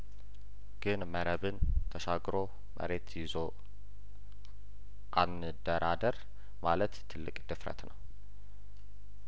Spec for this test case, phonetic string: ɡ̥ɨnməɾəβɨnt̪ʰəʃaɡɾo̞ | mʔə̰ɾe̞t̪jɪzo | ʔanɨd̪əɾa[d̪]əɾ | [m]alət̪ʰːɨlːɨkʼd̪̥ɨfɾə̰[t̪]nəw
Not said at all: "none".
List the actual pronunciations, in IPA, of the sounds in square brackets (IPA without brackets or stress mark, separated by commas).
d̪, m, t̪